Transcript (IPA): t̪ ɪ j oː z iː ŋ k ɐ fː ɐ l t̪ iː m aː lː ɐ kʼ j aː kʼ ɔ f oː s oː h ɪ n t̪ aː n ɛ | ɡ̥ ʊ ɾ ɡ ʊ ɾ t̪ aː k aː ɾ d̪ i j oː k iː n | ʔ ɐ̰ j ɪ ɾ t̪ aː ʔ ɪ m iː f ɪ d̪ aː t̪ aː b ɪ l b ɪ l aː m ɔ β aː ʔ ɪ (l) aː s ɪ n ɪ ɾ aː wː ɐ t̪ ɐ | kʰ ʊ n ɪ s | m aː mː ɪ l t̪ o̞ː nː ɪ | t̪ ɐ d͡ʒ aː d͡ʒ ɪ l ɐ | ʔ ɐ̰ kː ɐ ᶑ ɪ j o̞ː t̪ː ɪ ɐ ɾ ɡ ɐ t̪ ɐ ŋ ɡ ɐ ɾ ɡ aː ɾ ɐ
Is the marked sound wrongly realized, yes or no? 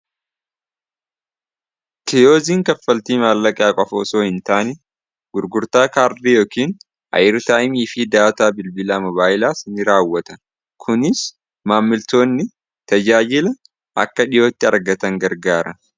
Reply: no